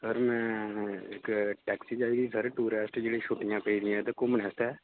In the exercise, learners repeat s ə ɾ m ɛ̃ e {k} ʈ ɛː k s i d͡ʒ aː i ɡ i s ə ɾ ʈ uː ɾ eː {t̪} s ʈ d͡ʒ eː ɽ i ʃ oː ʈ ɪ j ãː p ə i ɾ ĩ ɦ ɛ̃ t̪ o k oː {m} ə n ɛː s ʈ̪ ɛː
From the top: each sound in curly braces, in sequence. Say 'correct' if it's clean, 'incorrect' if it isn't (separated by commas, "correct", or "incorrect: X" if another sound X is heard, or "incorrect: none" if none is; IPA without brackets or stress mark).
correct, incorrect: none, correct